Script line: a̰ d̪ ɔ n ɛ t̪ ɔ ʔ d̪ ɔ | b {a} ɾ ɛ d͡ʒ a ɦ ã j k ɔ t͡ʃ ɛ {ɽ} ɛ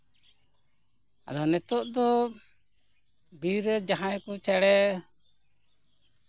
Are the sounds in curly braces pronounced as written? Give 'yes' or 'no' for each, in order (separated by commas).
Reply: no, yes